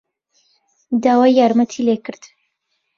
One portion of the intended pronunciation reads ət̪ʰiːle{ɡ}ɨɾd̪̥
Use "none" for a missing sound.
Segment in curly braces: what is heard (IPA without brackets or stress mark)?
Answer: k